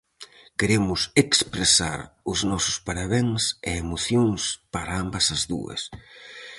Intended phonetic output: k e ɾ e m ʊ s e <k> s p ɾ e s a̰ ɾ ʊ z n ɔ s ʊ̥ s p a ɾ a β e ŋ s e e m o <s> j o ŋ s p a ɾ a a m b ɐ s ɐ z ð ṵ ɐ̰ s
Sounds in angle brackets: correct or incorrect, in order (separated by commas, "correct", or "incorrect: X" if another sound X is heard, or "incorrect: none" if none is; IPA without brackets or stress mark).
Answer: correct, incorrect: θ